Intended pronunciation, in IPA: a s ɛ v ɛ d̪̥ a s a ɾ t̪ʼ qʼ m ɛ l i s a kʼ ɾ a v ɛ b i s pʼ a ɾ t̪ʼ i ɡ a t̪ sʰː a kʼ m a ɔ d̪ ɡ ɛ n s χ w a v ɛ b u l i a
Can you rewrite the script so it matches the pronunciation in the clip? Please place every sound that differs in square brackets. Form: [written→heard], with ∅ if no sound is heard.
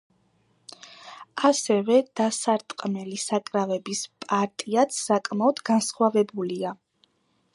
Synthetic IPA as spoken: a s ɛ v ɛ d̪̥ a s a ɾ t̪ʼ qʼ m ɛ l i s a kʼ ɾ a v ɛ b i s pʼ a ɾ t̪ʼ i [ɡ→∅] a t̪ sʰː a kʼ m a ɔ d̪ ɡ [ɛ→a] n s χ w a v ɛ b u l i a

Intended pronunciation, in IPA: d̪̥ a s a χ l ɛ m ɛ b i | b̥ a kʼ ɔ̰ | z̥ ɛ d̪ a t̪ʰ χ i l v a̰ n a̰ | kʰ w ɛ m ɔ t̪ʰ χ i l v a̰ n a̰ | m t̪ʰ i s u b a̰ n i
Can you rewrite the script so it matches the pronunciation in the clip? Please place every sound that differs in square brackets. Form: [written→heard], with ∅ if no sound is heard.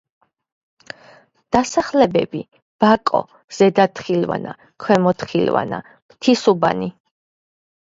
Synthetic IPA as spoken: d̪̥ a s a χ l ɛ [m→b] ɛ b i | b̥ a kʼ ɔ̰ | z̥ ɛ d̪ a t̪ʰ χ i l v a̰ n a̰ | kʰ w ɛ m ɔ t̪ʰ χ i l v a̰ n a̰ | m t̪ʰ i s u b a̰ n i

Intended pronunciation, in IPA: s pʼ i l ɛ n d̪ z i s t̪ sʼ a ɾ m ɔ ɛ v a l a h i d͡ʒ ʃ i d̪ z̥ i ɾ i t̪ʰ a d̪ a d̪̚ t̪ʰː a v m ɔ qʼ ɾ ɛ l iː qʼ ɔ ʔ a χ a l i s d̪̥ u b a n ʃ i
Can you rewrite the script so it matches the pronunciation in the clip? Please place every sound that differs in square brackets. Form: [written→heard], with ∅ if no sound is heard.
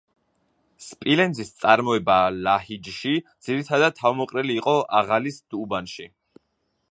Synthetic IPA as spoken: s pʼ i l ɛ n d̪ z i s t̪ sʼ a ɾ m ɔ ɛ [v→b] a l a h i d͡ʒ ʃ i d̪ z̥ i ɾ i t̪ʰ a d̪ a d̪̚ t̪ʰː a v m ɔ qʼ ɾ ɛ l iː qʼ ɔ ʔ a [χ→ʁ] a l i s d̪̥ u b a n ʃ i

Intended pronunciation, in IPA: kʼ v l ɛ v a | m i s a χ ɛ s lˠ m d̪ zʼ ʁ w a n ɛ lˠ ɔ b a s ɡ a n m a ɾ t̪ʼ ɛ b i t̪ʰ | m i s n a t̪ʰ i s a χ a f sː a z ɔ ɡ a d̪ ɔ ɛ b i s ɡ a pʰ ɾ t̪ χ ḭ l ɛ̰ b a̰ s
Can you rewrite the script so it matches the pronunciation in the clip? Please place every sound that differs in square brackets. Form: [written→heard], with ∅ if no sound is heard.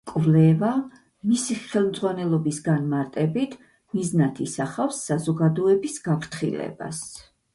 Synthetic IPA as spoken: kʼ v l ɛ v a | m i s [a→i] χ ɛ [s→∅] lˠ m d̪ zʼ ʁ w a n ɛ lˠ ɔ b [a→i] s ɡ a n m a ɾ t̪ʼ ɛ b i t̪ʰ | m i [s→z] n a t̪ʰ i s a χ a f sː a z ɔ ɡ a d̪ ɔ ɛ b i s ɡ a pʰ ɾ t̪ χ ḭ l ɛ̰ b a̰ s

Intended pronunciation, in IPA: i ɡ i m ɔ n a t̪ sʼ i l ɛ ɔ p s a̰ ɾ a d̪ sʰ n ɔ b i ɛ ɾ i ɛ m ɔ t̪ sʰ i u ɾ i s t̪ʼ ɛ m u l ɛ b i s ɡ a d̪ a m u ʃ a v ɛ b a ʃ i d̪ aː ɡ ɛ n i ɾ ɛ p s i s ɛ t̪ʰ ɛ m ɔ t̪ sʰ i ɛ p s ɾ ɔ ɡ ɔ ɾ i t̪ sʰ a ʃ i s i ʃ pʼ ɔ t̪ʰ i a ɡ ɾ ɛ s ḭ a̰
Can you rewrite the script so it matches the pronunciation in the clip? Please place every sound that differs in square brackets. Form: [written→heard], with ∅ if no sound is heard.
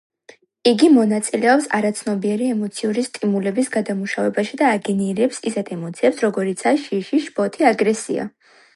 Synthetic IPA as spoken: i ɡ i m ɔ n a t̪ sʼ i l ɛ ɔ p s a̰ ɾ a [d̪→t̪] sʰ n ɔ b i ɛ ɾ i ɛ m ɔ t̪ sʰ i u ɾ i s t̪ʼ [ɛ→i] m u l ɛ b i s ɡ a d̪ a m u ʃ a v ɛ b a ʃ i d̪ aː ɡ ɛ n i ɾ ɛ p s i s ɛ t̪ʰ ɛ m ɔ t̪ sʰ i ɛ p s ɾ ɔ ɡ ɔ ɾ i t̪ sʰ a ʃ i [s→ʃ] i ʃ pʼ ɔ t̪ʰ i a ɡ ɾ ɛ s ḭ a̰

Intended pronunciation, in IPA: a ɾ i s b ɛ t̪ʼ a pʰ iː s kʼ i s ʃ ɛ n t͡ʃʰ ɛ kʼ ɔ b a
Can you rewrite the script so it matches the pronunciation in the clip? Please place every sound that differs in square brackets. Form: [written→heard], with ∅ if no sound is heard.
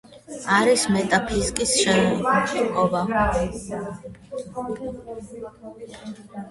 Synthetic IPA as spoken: a ɾ i s [b→m] ɛ t̪ʼ a pʰ [iː→i] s kʼ i s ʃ ɛ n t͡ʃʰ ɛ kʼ ɔ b a

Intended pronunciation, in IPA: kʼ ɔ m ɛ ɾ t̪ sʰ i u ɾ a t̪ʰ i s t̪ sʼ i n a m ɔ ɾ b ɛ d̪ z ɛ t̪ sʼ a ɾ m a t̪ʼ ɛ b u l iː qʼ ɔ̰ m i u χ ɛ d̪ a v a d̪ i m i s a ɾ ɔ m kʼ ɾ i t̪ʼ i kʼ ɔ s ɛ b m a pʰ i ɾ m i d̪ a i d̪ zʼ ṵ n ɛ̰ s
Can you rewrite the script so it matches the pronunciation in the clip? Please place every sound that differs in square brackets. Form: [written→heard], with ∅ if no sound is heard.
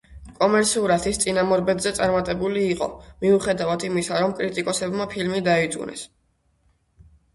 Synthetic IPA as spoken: kʼ ɔ m ɛ ɾ t̪ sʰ i u ɾ a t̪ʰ i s t̪ sʼ i n a m ɔ ɾ b ɛ d̪ z ɛ t̪ sʼ a ɾ m a t̪ʼ ɛ b u l iː qʼ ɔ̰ m i u χ ɛ d̪ a v a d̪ i m i s a ɾ ɔ m kʼ ɾ i t̪ʼ i kʼ ɔ s ɛ b m a pʰ i [ɾ→l] m i d̪ a i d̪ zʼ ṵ n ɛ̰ s

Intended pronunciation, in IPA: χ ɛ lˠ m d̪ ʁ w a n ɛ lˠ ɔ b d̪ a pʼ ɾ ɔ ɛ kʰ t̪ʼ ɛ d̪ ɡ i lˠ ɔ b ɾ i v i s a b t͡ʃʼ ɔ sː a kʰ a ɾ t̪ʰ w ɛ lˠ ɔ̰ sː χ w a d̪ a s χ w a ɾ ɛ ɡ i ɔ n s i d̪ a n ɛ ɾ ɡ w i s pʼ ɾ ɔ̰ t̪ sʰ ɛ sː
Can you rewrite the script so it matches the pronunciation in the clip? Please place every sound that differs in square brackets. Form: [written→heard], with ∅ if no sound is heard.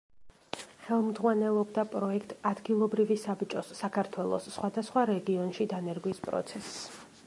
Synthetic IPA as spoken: χ ɛ lˠ m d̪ ʁ w a n ɛ lˠ ɔ b d̪ a pʼ ɾ ɔ ɛ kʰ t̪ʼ [ɛ→a] d̪ ɡ i lˠ ɔ b ɾ i v i s a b t͡ʃʼ ɔ sː a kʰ a ɾ t̪ʰ w ɛ lˠ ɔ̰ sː χ w a d̪ a s χ w a ɾ ɛ ɡ i ɔ n [s→ʃ] i d̪ a n ɛ ɾ ɡ w i s pʼ ɾ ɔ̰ t̪ sʰ ɛ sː

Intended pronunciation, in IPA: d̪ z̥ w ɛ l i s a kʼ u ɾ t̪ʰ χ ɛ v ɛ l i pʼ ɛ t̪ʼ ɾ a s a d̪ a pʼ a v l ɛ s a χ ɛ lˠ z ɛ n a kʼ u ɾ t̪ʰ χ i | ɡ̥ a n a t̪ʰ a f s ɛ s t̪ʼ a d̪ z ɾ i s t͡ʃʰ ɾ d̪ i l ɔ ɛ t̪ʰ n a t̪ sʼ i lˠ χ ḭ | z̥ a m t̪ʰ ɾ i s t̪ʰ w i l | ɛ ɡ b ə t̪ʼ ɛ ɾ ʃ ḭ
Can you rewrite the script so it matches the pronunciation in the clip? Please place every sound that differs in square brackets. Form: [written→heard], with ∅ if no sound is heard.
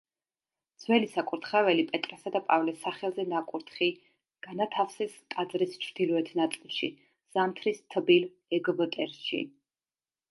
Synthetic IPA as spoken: d̪ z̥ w ɛ l i s a kʼ u ɾ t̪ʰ χ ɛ v ɛ l i pʼ ɛ t̪ʼ ɾ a s a d̪ a pʼ a v l ɛ s a χ ɛ lˠ z ɛ n a kʼ u ɾ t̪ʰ χ i | ɡ̥ a n a t̪ʰ a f s ɛ s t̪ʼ a d̪ z ɾ i s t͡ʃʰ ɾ d̪ i l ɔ ɛ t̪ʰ n a t̪ sʼ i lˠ [χ→ʃ] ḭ | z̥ a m t̪ʰ ɾ i s t̪ʰ [w→b] i l | ɛ ɡ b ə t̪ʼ ɛ ɾ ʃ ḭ

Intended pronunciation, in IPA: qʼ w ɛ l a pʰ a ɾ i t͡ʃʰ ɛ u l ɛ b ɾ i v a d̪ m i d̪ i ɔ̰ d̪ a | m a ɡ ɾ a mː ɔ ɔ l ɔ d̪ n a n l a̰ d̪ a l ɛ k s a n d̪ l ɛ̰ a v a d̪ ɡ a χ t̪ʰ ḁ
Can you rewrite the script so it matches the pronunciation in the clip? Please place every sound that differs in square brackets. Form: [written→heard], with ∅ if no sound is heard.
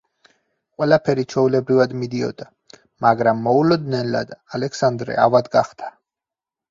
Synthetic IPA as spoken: qʼ w ɛ l a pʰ [a→ɛ] ɾ i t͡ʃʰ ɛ u l ɛ b ɾ i v a d̪ m i d̪ i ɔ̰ d̪ a | m a ɡ ɾ a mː ɔ [ɔ→u] l ɔ d̪ n [a→ɛ] n l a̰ d̪ a l ɛ k s a n d̪ [l→ɾ] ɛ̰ a v a d̪ ɡ a χ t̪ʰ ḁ

